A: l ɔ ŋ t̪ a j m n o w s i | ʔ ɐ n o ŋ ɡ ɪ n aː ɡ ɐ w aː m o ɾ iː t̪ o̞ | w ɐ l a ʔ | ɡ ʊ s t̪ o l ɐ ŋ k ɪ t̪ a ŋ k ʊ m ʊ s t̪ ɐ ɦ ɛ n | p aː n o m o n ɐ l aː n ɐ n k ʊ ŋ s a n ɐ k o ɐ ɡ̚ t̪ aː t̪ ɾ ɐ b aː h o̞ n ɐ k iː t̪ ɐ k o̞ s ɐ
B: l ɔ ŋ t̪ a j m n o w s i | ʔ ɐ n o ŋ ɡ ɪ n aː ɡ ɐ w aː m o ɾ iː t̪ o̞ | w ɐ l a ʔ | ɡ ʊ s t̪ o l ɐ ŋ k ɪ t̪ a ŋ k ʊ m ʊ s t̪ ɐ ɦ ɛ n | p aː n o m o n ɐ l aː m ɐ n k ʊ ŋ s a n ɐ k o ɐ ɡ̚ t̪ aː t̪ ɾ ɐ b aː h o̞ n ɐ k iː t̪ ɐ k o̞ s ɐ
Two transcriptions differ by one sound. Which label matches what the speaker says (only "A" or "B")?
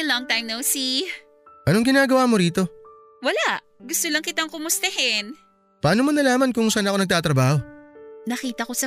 B